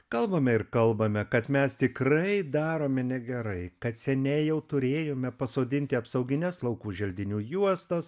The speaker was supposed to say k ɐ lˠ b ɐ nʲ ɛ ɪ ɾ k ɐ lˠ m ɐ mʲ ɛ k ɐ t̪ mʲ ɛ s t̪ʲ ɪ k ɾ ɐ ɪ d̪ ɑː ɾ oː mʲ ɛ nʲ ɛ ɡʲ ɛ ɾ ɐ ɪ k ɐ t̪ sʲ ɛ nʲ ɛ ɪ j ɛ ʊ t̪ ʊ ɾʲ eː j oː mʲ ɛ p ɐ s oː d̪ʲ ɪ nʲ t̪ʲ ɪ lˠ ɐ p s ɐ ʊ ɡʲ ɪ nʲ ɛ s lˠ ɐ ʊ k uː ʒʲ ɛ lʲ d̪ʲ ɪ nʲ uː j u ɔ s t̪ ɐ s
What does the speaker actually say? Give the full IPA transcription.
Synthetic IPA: k ɐ lˠ b ɐ mʲ ɛ ɪ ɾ k ɐ lˠ b ɐ mʲ ɛ k ɐ t̪ mʲ ɛ s t̪ʲ ɪ k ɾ ɐ ɪ d̪ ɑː ɾ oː mʲ ɛ nʲ ɛ ɡʲ ɛ ɾ ɐ ɪ k ɐ t̪ sʲ ɛ nʲ ɛ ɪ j ɛ ʊ t̪ ʊ ɾʲ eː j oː mʲ ɛ p ɐ s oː d̪ʲ ɪ nʲ t̪ʲ ɪ ɐ p s ɐ ʊ ɡʲ ɪ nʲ ɛ s lˠ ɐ ʊ k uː ʒʲ ɛ lʲ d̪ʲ ɪ nʲ uː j u ɔ s t̪ ɐ s